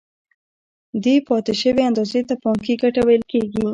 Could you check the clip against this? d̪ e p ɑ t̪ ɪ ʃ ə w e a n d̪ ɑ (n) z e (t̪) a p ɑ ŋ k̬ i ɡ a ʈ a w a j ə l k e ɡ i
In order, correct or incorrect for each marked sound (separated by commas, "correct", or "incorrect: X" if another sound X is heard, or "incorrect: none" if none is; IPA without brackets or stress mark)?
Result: incorrect: none, correct